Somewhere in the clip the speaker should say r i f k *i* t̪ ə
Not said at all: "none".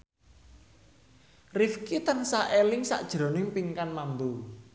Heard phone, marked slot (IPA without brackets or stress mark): i